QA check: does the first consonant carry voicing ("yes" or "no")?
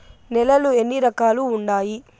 yes